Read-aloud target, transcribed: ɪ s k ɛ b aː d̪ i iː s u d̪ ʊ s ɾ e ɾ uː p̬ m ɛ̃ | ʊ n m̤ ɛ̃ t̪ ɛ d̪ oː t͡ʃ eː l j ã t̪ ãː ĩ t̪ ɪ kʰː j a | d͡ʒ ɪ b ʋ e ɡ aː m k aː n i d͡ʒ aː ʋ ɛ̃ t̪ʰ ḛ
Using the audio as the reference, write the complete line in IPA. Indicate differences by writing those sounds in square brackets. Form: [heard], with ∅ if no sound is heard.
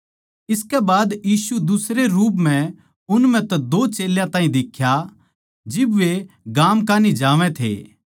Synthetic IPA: ɪ s k ɛ b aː d̪ [j] iː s u d̪ ʊ s ɾ e ɾ uː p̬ m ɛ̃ | ʊ n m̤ ɛ̃ t̪ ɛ d̪ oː t͡ʃ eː l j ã t̪ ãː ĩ [d̪] ɪ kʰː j a | d͡ʒ ɪ b ʋ e ɡ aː m k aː n i d͡ʒ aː ʋ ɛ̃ t̪ʰ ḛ